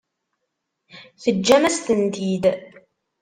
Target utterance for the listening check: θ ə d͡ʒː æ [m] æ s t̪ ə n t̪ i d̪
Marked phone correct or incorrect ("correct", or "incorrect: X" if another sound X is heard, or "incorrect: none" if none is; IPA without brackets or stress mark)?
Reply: correct